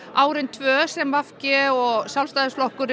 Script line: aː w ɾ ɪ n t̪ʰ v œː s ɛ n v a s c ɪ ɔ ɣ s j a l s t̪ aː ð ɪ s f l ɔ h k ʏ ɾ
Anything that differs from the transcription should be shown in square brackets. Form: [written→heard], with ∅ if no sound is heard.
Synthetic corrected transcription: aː w ɾ ɪ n t̪ʰ v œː s ɛ [n→m] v a [s→f] c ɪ ɔ ɣ s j a l s t̪ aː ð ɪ s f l ɔ h k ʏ ɾ

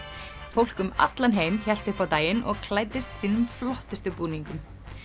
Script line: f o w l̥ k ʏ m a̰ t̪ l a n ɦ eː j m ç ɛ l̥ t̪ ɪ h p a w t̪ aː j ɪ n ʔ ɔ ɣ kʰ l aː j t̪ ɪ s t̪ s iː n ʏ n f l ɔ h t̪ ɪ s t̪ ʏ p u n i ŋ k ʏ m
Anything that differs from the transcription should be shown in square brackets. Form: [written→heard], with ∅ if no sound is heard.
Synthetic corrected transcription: f o w l̥ k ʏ m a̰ t̪ l a n ɦ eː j m ç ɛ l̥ t̪ ɪ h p a w t̪ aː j ɪ n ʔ ɔ ɣ kʰ l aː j t̪ ɪ s t̪ s iː n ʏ [n→m] f l ɔ h t̪ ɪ s t̪ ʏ p [u→uː] n i ŋ k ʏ m

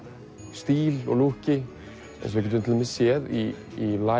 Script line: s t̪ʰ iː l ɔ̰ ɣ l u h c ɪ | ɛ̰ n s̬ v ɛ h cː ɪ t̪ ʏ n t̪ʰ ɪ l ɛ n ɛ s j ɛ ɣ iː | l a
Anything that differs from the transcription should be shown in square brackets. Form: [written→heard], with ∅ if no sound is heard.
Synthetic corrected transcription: s [t̪ʰ→t̪] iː l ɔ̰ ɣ l u h c ɪ | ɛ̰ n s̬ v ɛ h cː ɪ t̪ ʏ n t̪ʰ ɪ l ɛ [n→m] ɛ s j ɛ [ɣ→ð] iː | l a

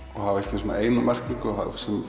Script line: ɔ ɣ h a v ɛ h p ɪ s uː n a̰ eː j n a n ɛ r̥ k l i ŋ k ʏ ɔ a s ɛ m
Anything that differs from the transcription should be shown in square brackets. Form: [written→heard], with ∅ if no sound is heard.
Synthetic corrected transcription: ɔ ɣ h a v ɛ h [p→c] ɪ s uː n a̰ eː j n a [n→m] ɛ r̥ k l i ŋ k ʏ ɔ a s ɛ m

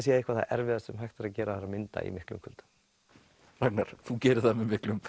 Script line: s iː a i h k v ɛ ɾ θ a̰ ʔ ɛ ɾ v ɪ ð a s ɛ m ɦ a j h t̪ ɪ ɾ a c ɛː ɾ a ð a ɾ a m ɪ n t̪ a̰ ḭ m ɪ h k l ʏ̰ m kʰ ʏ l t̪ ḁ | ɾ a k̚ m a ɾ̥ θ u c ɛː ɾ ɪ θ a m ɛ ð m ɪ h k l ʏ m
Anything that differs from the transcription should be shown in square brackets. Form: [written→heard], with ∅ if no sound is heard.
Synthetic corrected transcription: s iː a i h k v [ɛ→a] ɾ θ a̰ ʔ ɛ ɾ v ɪ ð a s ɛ m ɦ a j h t̪ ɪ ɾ a c ɛː ɾ a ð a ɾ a m ɪ n t̪ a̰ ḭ m ɪ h k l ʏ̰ m kʰ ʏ l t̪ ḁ | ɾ a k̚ [m→n] a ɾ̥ θ u c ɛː ɾ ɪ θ a m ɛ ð m ɪ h k l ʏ m

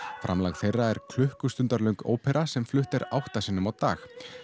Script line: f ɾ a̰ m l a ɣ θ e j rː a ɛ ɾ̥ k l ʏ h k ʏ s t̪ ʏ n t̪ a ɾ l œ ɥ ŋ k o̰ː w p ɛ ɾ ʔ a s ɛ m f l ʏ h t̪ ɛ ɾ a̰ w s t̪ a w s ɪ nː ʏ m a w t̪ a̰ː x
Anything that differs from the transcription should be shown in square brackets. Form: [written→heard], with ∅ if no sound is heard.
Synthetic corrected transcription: f ɾ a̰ m l a ɣ θ e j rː a ɛ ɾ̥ [k→kʰ] l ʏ h k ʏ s t̪ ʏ n t̪ a ɾ l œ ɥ ŋ k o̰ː w p ɛ ɾ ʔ a s ɛ m f l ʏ h t̪ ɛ ɾ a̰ w [s→h] t̪ a [w→∅] s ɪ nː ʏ m a w t̪ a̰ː x

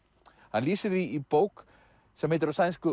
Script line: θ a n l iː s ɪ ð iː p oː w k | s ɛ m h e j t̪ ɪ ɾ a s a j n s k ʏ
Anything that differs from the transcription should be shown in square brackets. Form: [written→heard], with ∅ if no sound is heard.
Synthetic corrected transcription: [θ→h] a n l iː s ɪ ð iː p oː w k | s ɛ m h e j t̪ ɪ ɾ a s a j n s k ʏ

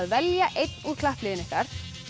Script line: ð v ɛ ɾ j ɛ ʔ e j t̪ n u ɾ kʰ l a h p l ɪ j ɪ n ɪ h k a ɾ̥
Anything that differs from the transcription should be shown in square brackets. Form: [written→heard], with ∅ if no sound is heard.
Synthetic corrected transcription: ð v ɛ [ɾ→l] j [ɛ→a] ʔ e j t̪ n u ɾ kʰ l a h p l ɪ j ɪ n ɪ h k a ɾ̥

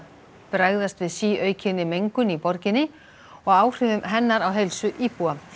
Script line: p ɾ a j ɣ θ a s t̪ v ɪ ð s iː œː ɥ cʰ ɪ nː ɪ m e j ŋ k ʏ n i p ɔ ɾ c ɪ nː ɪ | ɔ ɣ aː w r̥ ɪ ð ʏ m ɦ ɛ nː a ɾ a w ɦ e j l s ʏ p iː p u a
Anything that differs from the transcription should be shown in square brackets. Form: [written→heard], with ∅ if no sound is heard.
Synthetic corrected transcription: p ɾ a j ɣ [θ→ð] a s t̪ v ɪ ð s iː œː ɥ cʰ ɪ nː ɪ m e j ŋ k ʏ n i p ɔ ɾ c ɪ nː ɪ | ɔ ɣ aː w r̥ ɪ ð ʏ m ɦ ɛ nː a ɾ a w ɦ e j l s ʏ [p→ʔ] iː p u a

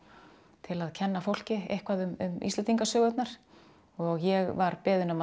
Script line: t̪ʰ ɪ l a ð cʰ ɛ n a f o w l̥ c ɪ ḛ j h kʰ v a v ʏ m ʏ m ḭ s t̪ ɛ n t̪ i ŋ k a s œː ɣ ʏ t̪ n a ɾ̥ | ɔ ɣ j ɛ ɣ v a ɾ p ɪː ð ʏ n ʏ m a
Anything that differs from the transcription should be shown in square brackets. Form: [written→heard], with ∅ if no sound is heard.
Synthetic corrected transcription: t̪ʰ ɪ l a ð cʰ ɛ [n→nː] a f o w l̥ c ɪ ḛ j h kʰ v a [v→ð] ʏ m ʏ m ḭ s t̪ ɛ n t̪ i ŋ k a s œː ɣ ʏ t̪ n a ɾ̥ | ɔ ɣ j ɛ ɣ v a ɾ p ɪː ð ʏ n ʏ m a

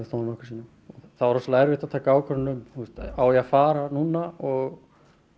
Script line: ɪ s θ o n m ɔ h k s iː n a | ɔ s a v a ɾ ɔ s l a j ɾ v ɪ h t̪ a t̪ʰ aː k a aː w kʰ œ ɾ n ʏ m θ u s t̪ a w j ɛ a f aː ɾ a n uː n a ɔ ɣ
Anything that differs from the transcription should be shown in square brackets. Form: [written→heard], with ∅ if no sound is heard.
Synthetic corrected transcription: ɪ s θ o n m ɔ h k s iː n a | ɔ [s→θ] a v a ɾ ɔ s l a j ɾ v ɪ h t̪ a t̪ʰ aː k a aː w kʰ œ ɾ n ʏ m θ u s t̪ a w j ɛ a f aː ɾ a n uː n a ɔ ɣ

